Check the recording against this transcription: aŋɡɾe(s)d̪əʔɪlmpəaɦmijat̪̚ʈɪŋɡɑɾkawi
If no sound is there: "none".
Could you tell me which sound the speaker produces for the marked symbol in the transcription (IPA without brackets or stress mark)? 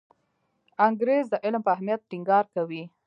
z